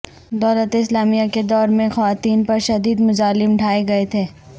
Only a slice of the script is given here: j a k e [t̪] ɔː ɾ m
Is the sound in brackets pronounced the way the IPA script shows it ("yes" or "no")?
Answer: no